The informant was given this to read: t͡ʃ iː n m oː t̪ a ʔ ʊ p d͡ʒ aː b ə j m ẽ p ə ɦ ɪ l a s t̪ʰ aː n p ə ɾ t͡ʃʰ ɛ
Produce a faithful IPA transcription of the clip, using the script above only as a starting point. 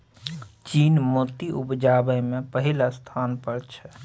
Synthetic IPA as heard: t͡ʃ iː n m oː t̪ i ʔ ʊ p d͡ʒ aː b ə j m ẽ p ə ɦ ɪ l a s t̪ʰ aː n p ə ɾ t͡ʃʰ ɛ